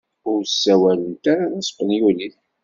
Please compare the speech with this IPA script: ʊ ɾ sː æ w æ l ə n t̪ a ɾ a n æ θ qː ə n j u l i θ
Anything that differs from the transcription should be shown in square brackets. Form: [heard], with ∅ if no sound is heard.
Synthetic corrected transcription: ʊ ɾ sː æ w æ l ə n t̪ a ɾ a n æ [s] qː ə n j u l i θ